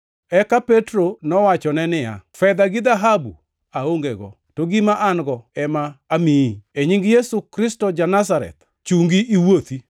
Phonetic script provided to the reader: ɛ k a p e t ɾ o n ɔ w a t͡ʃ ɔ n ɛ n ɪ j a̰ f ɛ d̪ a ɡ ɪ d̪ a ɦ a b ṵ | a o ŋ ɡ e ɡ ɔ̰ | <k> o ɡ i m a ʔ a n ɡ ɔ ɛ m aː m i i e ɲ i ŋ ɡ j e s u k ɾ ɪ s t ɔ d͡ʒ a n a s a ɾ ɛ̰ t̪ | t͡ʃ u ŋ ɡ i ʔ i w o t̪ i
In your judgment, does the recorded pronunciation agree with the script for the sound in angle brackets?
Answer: no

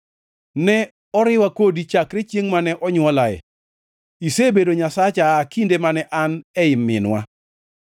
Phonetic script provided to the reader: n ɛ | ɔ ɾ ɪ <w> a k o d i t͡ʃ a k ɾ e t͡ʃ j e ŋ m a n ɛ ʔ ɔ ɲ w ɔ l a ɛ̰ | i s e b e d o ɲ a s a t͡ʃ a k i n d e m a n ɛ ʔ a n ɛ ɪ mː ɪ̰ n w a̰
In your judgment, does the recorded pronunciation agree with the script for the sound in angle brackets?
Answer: yes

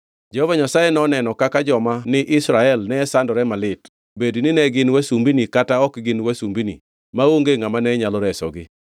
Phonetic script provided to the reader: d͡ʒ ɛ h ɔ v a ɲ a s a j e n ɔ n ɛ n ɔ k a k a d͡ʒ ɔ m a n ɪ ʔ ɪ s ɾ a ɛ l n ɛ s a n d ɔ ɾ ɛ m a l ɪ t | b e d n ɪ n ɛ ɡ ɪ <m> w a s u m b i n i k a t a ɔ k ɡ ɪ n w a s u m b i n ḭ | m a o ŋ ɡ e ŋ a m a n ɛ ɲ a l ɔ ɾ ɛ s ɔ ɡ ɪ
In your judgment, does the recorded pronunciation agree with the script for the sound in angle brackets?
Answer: no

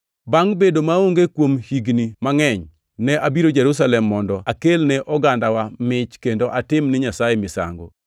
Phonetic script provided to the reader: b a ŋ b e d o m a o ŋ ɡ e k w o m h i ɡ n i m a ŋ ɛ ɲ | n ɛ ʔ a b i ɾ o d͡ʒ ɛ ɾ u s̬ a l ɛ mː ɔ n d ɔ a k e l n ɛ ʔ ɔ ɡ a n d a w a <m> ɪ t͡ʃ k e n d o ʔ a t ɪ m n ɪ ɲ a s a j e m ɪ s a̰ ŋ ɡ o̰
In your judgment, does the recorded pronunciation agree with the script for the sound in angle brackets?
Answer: yes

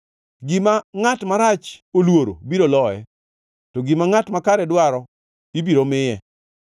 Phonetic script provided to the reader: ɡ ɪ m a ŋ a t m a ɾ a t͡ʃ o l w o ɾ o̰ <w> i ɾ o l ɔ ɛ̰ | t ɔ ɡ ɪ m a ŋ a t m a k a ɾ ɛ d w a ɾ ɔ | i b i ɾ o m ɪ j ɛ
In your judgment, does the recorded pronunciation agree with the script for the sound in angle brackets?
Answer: no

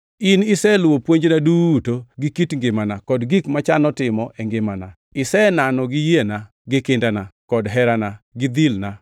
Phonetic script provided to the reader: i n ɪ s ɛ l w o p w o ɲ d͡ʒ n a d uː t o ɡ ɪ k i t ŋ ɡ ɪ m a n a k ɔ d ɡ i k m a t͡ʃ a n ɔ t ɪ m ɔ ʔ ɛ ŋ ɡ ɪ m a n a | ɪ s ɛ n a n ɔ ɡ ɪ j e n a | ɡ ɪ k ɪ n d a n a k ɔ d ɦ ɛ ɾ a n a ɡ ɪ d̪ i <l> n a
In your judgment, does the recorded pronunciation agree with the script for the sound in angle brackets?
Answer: yes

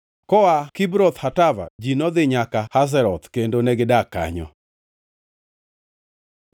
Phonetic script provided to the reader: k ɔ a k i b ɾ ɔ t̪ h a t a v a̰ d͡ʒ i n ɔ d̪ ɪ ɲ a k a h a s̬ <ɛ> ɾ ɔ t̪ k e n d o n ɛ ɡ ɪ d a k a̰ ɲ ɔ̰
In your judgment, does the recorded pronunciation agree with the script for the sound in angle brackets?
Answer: yes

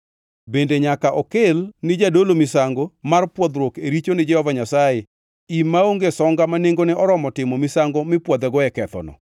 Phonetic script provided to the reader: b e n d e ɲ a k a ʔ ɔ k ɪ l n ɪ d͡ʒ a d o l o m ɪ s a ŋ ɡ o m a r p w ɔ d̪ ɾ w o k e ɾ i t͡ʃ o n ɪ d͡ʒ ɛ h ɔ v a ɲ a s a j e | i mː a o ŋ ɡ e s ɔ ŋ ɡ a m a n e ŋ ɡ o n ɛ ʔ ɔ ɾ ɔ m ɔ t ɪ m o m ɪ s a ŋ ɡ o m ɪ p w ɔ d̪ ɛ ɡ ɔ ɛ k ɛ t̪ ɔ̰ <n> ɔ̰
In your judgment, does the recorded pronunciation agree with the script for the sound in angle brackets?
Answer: yes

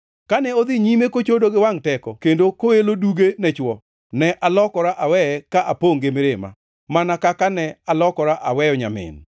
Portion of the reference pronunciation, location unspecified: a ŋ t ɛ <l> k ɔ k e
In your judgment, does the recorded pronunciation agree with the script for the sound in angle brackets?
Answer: no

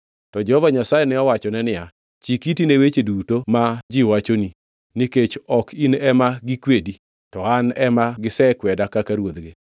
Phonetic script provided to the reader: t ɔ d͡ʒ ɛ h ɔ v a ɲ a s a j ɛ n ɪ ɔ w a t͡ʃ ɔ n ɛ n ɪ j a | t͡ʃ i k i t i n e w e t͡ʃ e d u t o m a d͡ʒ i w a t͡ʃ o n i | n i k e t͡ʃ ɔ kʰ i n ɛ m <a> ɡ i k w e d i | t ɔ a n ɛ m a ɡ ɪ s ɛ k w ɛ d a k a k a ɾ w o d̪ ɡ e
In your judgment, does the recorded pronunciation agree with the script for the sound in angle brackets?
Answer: yes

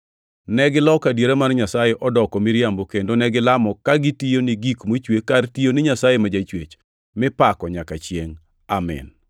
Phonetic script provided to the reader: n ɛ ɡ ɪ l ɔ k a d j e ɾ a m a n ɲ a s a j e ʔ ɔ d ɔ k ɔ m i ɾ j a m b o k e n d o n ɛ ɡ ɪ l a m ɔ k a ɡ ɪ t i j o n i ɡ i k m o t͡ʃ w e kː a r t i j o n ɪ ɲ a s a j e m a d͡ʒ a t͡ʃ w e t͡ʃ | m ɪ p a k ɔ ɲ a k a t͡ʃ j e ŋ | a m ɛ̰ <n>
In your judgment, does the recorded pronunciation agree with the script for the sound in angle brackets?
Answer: yes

